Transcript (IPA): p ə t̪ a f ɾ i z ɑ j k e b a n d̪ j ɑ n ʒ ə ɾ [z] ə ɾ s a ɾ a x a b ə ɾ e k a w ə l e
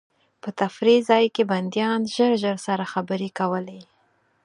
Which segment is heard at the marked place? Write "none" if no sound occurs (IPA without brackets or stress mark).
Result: ʒ